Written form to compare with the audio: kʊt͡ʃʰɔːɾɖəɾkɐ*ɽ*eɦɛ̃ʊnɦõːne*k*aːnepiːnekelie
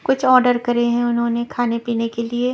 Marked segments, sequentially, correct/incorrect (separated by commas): incorrect, incorrect